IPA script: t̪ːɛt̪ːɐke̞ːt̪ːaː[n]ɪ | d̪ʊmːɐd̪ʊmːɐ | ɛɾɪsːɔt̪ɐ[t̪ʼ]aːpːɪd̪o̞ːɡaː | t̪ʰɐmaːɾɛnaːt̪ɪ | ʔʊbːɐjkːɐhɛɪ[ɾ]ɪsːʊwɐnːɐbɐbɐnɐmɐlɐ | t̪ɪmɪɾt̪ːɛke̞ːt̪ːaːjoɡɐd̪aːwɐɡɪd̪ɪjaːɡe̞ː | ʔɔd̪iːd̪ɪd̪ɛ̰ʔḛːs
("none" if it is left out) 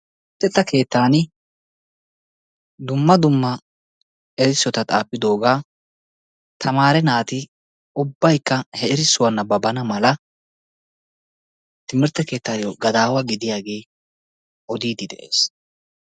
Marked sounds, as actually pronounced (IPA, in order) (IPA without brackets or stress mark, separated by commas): n, t̪ʼ, ɾ